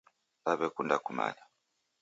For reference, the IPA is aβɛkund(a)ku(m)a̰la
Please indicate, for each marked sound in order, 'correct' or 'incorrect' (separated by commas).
correct, correct